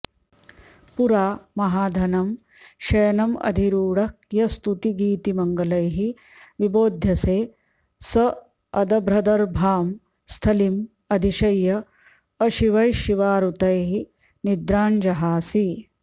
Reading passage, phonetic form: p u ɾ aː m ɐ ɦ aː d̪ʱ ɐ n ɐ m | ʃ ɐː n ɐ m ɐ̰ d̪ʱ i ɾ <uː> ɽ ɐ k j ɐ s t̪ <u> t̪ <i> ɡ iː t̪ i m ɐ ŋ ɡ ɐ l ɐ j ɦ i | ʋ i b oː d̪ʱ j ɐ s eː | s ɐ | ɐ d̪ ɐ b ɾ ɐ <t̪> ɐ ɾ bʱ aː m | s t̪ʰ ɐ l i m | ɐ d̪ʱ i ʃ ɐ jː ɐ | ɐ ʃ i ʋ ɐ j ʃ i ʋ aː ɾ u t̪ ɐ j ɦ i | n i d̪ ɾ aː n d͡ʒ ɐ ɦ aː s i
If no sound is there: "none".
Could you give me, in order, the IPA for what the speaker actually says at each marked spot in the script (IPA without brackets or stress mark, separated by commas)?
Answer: uː, u, i, d̪